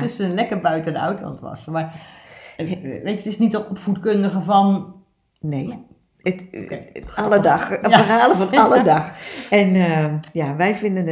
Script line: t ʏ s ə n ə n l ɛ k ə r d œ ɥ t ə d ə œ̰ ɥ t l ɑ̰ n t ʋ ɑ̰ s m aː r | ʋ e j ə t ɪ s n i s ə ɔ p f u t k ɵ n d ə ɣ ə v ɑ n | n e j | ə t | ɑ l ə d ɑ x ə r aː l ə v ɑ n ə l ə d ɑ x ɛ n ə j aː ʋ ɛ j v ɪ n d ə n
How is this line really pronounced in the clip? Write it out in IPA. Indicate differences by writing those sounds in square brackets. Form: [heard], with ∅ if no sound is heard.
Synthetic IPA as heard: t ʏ s ə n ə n l ɛ k ə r [b] œ ɥ t ə d ə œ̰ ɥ t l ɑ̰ n t ʋ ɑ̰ s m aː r | ʋ e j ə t ɪ s n i [t] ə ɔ p f u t k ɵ n d ə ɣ ə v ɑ n | n e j | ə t | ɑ l ə d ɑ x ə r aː l ə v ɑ n [ɑ] l ə d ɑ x ɛ n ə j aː ʋ ɛ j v ɪ n d ə n